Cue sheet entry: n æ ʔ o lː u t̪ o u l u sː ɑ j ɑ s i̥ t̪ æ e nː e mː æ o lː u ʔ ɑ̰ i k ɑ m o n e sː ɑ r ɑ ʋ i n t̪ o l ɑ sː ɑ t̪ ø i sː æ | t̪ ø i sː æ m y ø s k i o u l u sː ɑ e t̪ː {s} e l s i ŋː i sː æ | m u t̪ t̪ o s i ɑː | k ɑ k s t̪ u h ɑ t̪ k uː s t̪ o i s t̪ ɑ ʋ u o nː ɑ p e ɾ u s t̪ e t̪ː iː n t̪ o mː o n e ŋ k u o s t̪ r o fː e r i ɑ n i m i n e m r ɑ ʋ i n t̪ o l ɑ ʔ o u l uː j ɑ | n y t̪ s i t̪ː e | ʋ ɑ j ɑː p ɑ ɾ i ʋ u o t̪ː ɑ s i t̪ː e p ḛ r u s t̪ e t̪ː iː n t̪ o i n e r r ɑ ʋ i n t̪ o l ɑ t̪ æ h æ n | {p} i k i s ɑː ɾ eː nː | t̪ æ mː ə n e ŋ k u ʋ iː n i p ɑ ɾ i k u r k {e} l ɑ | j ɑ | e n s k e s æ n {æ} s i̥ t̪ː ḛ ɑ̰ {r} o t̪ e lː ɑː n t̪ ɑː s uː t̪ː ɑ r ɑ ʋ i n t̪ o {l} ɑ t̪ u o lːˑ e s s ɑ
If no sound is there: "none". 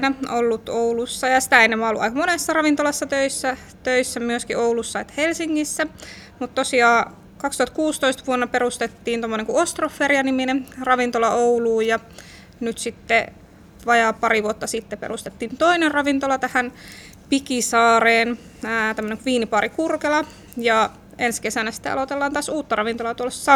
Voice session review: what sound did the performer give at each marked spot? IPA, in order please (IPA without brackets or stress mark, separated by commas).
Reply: h, p, e, æ, l, l